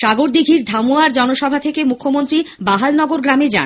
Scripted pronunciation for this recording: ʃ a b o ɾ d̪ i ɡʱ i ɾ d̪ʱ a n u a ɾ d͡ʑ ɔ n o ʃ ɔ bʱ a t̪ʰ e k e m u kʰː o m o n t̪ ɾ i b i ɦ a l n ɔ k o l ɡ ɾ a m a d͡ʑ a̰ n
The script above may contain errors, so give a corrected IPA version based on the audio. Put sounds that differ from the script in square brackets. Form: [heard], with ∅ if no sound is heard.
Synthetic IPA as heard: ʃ a [ɡ] o ɾ d̪ i ɡʱ i ɾ d̪ʱ a [m] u a ɾ d͡ʑ ɔ n o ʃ ɔ bʱ a t̪ʰ e k e m u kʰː o m o n t̪ ɾ i b [a] ɦ a l n ɔ [ɡ] o [ɾ] ɡ ɾ a m [e] d͡ʑ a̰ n